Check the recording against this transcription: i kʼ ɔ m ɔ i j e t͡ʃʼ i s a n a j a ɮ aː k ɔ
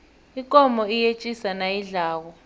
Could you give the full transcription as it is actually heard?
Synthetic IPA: i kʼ ɔ m ɔ i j e t͡ʃʼ i s a n a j i ɮ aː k ɔ